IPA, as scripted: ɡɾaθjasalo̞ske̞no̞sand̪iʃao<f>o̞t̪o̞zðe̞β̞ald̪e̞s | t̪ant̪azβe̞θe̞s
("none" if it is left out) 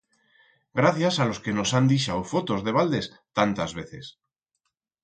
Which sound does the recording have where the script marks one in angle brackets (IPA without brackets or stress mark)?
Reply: f